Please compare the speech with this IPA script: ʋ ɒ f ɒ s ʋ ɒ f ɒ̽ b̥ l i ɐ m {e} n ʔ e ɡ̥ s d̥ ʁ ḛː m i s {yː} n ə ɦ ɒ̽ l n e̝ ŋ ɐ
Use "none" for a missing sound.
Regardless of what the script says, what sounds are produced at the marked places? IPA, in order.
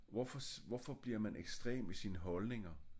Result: æ, iː

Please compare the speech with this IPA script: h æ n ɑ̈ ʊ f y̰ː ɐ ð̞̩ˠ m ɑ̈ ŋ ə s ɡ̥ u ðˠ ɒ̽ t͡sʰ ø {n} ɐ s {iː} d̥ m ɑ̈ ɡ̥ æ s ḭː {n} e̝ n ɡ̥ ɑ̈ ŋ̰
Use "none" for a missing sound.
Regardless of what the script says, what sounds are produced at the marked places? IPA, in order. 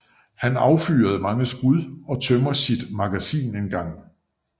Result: m, i, n

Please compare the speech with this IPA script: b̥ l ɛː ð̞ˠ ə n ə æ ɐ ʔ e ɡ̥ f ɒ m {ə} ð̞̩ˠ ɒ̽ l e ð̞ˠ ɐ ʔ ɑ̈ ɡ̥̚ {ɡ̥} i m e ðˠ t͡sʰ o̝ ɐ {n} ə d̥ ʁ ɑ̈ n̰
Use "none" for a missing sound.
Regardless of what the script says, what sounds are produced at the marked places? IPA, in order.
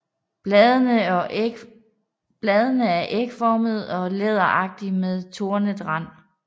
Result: ə, d̥, n

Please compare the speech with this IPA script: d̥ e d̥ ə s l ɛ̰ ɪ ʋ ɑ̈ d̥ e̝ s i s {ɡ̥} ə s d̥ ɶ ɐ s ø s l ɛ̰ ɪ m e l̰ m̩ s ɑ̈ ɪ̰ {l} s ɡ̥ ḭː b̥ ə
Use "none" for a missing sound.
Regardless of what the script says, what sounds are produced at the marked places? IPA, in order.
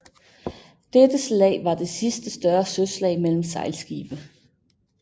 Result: d̥, l

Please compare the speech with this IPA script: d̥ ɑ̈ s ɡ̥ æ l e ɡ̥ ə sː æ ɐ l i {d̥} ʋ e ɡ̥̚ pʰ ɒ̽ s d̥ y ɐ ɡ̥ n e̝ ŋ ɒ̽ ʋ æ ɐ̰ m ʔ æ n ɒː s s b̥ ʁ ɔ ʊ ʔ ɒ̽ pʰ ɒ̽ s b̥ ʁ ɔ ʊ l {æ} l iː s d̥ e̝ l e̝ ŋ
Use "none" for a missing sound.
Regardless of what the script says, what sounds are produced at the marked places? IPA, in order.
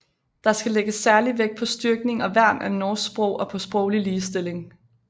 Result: none, i

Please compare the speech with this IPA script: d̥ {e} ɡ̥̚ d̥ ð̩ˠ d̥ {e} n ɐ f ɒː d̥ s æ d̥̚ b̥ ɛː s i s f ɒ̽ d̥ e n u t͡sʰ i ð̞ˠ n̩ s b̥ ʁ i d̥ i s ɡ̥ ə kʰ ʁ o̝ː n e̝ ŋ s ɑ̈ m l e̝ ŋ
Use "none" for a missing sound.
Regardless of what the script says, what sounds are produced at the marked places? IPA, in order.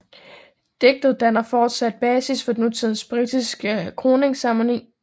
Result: e, æ

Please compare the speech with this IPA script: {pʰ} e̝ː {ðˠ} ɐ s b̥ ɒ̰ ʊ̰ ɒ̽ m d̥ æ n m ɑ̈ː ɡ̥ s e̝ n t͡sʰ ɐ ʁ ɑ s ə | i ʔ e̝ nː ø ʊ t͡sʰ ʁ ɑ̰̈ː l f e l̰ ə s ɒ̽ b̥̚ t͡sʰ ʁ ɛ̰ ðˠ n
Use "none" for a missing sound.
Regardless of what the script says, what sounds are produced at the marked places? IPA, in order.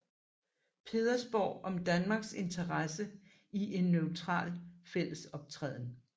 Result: pʰ, ðˠ

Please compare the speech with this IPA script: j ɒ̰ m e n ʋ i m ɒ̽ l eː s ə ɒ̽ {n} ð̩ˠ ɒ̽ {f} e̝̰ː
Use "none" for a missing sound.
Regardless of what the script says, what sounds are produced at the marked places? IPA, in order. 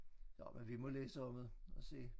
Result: m, s

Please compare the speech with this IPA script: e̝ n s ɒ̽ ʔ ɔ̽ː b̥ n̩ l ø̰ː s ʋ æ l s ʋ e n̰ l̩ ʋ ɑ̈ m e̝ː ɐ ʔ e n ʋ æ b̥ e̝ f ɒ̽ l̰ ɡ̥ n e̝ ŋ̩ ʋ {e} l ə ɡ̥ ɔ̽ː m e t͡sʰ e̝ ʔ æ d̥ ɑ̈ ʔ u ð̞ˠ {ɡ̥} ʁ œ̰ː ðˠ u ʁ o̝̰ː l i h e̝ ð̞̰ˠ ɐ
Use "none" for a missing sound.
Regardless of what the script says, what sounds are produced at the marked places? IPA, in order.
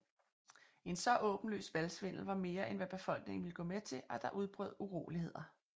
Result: i, b̥

